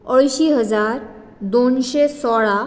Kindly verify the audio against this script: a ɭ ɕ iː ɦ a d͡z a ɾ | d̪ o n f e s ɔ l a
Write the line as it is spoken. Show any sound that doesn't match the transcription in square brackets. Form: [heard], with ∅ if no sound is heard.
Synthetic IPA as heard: [ə] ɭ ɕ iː ɦ [ə] d͡z a ɾ | d̪ o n [ɕ] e s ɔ [ɭ] a